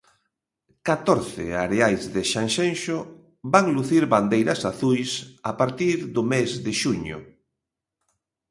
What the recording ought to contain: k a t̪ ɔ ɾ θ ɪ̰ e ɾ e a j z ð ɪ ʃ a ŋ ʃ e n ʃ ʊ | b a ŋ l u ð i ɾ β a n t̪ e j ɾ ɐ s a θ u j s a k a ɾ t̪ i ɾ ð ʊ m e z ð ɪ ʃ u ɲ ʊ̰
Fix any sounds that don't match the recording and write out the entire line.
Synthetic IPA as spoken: k a t̪ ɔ ɾ θ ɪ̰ a ɾ e a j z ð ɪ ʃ a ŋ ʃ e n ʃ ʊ | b a ŋ l u θ i ɾ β a n d̪ e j ɾ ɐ s a θ u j s a p a ɾ t̪ i ɾ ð ʊ m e z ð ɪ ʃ u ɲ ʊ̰